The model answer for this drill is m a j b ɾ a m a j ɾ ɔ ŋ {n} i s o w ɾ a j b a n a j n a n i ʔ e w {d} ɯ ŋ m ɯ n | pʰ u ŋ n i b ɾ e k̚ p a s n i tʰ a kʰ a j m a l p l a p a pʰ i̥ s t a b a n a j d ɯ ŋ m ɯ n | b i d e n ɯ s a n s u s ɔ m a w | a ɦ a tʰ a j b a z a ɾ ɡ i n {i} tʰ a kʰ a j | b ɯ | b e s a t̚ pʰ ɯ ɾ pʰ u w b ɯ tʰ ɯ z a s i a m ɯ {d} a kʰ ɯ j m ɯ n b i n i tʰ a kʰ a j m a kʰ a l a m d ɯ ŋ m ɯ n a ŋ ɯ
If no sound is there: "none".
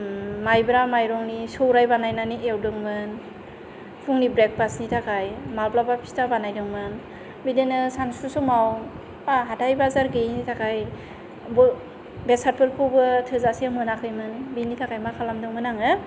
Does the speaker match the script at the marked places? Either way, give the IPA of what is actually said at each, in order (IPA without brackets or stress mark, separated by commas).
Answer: n, d, i, n